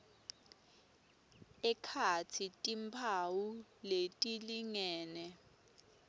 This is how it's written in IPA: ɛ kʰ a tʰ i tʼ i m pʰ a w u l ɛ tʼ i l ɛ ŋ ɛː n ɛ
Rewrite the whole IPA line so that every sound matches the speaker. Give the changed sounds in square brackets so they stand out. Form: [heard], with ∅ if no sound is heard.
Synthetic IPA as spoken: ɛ kʰ a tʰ i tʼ i m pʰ a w u l [e] tʼ i l [i] ŋ ɛː n ɛ